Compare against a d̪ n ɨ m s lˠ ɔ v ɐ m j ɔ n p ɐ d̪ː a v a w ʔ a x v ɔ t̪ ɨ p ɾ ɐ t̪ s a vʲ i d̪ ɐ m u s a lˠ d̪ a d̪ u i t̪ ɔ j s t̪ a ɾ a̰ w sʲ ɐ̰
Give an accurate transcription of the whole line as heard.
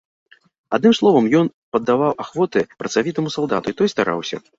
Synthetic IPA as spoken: a d̪ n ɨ m s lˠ ɔ v ɐ m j ɔ n p ɐ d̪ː a v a w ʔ a x v ɔ t̪ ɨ p ɾ ɐ t̪ s a vʲ i t̪ ɐ m u s a lˠ d̪ a t̪ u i t̪ ɔ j s t̪ a ɾ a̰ w sʲ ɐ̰